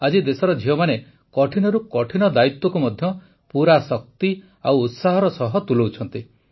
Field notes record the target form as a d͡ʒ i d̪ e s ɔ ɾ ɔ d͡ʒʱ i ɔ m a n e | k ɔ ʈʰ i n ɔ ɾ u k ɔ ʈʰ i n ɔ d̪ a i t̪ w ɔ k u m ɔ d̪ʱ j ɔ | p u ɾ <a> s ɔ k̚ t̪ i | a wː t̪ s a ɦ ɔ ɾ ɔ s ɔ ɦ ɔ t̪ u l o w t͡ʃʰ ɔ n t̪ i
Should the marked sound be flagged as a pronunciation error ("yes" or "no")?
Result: no